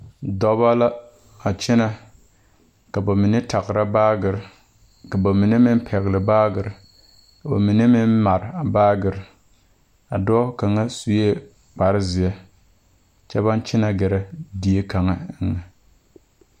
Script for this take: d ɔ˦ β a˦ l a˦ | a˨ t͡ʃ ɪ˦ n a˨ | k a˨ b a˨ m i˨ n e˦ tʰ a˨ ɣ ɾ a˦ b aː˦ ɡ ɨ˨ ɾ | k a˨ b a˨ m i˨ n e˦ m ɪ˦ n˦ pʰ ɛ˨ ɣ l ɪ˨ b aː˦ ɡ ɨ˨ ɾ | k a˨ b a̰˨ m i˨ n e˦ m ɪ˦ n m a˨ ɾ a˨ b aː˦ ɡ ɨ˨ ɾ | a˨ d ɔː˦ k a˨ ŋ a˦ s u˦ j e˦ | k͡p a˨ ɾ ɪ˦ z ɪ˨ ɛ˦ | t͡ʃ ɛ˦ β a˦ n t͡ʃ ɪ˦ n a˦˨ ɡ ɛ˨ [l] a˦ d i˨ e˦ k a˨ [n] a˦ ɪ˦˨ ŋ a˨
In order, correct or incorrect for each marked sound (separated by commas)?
incorrect, incorrect